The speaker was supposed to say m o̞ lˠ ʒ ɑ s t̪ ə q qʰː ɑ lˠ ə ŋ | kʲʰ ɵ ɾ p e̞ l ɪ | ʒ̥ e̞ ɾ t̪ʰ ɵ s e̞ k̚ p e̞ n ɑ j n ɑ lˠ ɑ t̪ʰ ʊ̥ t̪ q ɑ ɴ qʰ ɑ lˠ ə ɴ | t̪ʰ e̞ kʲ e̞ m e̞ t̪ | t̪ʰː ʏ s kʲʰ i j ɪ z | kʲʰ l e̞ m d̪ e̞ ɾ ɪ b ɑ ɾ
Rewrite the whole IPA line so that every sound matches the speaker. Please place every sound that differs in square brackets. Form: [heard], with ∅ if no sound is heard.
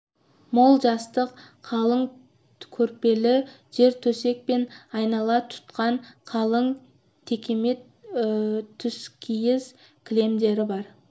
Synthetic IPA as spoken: m o̞ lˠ ʒ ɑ s t̪ ə q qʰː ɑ lˠ ə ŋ | kʲʰ ɵ ɾ p e̞ l ɪ | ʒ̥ e̞ ɾ t̪ʰ ɵ s e̞ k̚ p e̞ n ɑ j n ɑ lˠ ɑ t̪ʰ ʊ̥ t̪ q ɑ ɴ qʰ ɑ lˠ ə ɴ | t̪ʰ e̞ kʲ e̞ m e̞ t̪ | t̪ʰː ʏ s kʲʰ i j ɪ z | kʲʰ l e̞ m d̪ e̞ ɾ ɪ b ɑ ɾ